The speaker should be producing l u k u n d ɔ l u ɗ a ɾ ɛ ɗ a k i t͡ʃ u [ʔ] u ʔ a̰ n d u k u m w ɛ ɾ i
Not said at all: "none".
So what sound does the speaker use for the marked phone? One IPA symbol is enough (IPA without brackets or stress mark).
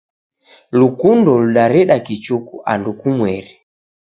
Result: k